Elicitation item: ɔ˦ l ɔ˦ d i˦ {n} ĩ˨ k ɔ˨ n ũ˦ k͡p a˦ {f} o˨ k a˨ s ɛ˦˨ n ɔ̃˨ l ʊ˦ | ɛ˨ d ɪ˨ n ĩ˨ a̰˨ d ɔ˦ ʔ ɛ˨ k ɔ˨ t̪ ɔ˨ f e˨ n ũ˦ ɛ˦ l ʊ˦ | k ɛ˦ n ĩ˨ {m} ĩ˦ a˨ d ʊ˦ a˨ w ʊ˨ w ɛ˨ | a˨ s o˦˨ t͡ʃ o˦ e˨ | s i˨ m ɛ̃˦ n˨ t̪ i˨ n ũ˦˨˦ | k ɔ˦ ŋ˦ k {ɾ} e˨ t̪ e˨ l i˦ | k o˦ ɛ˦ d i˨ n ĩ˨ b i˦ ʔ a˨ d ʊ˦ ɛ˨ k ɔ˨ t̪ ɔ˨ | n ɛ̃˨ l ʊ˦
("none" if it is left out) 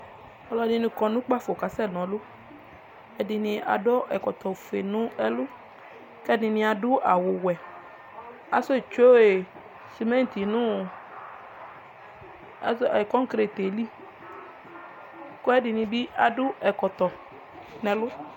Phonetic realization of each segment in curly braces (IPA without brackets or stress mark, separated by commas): n, f, n, ɾ